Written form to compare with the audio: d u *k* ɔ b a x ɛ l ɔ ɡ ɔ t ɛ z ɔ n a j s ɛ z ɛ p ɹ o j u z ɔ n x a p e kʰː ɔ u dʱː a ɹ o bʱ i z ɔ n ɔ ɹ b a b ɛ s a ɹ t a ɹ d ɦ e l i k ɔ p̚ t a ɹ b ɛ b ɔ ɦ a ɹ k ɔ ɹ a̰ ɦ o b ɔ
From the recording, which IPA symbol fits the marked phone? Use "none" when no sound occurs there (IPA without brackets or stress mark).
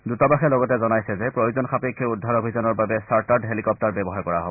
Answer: t